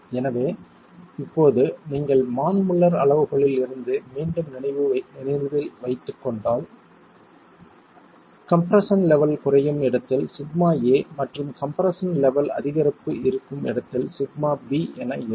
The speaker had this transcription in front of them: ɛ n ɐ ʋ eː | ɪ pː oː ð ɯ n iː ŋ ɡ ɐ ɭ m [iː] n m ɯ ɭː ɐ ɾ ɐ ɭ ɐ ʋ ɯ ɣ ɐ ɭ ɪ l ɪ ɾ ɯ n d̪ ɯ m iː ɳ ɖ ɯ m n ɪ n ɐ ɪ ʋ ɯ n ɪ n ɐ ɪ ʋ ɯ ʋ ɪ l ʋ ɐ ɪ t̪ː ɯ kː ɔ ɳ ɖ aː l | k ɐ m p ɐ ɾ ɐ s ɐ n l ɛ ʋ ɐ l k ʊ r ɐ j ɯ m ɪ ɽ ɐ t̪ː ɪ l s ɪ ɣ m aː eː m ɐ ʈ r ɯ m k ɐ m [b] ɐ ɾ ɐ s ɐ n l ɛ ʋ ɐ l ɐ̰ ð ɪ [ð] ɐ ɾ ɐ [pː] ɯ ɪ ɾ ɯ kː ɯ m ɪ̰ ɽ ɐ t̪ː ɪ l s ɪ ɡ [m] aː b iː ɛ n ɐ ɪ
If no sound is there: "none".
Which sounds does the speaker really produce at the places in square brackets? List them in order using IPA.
aː, p, ɣ, pː, m

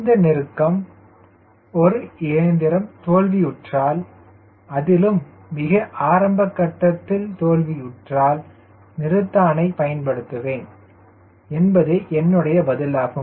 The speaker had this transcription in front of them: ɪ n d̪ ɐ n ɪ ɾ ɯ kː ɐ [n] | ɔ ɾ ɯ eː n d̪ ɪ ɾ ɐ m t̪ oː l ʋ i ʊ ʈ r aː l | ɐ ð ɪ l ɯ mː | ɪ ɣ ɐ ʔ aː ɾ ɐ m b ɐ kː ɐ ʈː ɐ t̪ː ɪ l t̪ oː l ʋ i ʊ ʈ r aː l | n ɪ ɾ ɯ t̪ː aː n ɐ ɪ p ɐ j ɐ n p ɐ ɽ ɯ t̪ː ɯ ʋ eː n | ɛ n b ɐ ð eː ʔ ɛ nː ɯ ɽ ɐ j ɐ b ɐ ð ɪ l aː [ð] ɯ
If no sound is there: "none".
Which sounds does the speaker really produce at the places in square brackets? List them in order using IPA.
m, ɣ

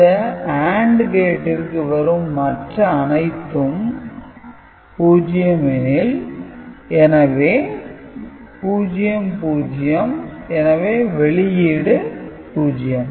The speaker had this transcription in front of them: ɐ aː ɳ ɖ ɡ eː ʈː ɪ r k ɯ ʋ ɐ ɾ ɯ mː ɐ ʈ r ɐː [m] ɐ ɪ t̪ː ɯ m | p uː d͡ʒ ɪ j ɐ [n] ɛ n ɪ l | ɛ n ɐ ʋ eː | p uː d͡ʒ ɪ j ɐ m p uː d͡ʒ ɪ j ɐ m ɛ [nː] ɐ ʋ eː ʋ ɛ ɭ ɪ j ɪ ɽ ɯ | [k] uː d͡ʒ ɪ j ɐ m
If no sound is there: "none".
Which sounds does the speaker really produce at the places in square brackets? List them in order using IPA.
n, m, n, p

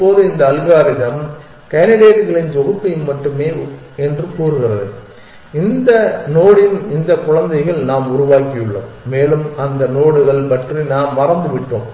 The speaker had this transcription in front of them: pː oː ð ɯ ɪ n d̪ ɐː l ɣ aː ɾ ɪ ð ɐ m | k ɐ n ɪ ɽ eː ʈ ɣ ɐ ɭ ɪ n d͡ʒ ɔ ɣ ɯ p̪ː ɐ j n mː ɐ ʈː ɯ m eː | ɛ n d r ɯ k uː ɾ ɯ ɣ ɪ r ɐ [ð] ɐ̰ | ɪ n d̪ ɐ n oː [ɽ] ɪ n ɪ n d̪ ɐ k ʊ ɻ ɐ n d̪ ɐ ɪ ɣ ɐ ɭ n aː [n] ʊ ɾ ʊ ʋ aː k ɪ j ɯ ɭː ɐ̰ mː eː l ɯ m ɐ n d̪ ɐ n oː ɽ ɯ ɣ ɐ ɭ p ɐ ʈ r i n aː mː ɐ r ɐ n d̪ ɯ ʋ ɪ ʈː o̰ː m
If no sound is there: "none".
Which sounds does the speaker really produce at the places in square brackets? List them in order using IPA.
ð, ɽ, m

